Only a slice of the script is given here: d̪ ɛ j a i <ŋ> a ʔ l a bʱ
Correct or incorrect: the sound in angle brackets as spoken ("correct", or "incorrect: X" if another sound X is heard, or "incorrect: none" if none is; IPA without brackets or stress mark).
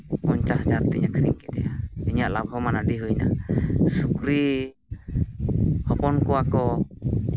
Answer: incorrect: ɲ